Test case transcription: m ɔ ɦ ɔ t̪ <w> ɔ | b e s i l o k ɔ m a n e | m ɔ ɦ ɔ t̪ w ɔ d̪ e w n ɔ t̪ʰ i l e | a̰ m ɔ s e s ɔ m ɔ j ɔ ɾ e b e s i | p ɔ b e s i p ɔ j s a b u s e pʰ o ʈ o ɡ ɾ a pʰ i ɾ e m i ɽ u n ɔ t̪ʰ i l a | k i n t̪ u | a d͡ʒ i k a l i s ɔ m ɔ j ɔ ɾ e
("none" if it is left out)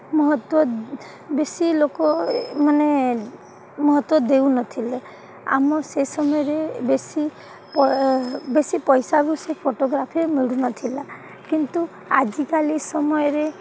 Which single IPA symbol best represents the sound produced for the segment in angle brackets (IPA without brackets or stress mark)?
w